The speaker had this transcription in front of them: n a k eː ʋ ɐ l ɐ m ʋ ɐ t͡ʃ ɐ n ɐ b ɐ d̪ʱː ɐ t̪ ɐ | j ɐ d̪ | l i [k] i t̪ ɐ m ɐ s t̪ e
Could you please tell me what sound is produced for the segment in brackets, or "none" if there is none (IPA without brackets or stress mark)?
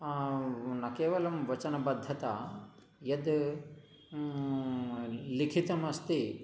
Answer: kʰ